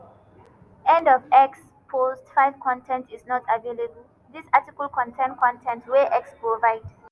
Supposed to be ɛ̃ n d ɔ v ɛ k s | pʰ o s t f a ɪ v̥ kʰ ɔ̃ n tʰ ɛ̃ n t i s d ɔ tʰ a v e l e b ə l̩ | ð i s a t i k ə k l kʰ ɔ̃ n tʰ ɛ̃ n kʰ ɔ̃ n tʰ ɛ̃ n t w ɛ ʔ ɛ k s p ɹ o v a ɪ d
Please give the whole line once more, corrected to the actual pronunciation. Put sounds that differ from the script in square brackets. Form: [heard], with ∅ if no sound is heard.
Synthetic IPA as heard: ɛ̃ n d ɔ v ɛ k s | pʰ o s t f a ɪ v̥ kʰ ɔ̃ n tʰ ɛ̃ n t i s [n] ɔ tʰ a v e l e b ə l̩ | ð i s a t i k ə [∅] l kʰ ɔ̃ n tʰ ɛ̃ n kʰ ɔ̃ n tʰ ɛ̃ n t w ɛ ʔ ɛ k s p ɹ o v a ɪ d